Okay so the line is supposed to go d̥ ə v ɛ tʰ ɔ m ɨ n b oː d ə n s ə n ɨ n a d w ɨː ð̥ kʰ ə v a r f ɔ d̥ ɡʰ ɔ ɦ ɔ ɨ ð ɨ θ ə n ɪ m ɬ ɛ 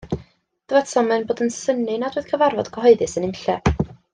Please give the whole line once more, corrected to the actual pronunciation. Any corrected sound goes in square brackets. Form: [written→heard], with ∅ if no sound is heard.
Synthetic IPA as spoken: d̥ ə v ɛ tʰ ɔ m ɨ n b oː d ə n s ə n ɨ n a d w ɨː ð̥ kʰ ə v a r [f→v] ɔ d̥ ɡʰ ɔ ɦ ɔ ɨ ð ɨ [θ→s] ə n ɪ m ɬ ɛ